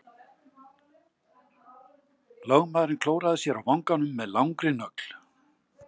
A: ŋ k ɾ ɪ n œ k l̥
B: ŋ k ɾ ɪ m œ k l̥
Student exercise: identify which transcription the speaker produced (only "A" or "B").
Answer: A